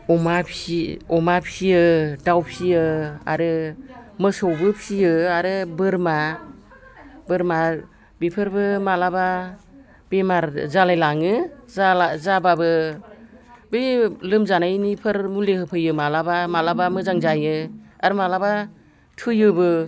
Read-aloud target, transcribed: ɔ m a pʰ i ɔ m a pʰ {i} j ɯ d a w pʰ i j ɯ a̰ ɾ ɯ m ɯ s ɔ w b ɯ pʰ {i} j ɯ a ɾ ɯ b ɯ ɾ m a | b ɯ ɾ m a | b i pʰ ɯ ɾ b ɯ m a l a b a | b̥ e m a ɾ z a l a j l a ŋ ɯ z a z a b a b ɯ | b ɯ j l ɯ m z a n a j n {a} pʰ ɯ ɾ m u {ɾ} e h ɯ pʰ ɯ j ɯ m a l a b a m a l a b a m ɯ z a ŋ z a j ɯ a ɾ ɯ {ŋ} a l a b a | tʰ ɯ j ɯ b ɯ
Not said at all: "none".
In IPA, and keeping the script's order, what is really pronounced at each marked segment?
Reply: i, i, i, l, m

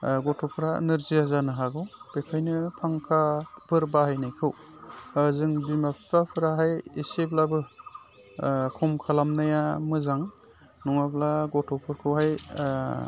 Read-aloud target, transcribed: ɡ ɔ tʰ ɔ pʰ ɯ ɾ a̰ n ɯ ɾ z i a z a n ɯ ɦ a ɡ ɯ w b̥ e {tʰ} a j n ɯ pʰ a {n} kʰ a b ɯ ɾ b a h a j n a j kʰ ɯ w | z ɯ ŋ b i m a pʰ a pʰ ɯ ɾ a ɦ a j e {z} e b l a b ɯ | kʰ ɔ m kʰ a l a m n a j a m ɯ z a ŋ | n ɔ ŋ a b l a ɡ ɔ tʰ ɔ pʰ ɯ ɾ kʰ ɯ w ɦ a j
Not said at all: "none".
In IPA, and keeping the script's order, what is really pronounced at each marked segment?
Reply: kʰ, ŋ, s

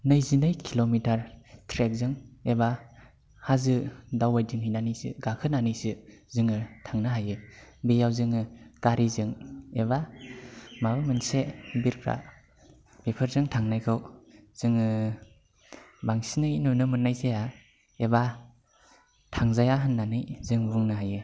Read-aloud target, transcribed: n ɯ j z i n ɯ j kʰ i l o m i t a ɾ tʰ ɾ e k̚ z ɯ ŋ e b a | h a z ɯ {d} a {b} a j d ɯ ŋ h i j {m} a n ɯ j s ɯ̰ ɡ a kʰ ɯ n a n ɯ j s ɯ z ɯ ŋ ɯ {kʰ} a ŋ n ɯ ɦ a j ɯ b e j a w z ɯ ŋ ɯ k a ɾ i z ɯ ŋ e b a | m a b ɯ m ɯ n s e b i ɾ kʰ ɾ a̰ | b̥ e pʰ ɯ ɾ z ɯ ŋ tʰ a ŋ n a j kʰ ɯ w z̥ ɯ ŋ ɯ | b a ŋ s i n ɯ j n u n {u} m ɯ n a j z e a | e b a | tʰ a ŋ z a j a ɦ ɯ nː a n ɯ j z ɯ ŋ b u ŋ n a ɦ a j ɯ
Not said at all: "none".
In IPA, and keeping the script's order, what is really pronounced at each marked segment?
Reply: d, w, n, tʰ, ɯ

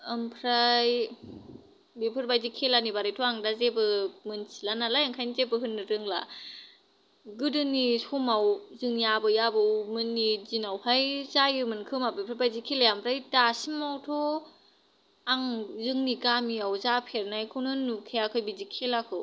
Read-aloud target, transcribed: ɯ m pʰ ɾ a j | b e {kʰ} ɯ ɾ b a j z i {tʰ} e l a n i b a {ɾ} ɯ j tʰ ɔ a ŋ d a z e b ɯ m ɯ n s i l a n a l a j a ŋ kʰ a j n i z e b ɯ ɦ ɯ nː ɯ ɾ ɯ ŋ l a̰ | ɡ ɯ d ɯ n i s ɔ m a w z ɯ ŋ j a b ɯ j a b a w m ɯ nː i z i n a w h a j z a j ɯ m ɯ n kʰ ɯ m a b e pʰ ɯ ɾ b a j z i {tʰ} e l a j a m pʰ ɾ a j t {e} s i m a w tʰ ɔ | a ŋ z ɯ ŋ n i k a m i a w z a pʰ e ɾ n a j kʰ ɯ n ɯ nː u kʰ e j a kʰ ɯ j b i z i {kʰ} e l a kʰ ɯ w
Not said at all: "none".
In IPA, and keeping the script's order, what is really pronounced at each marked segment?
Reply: pʰ, kʰ, ɾ, kʰ, a, kʰ

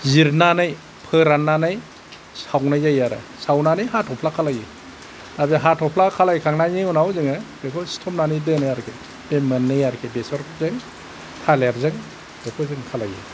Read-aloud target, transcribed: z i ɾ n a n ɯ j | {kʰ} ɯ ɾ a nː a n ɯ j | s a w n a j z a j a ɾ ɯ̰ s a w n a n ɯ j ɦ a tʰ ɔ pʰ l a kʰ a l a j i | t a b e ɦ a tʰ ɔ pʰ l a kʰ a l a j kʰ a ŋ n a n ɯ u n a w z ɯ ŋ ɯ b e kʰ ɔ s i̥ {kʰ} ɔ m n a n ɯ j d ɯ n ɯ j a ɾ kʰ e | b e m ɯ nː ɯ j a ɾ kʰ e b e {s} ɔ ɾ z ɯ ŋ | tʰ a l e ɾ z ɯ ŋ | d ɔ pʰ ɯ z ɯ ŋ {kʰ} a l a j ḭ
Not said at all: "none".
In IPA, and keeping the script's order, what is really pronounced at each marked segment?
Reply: pʰ, tʰ, s, kʰ

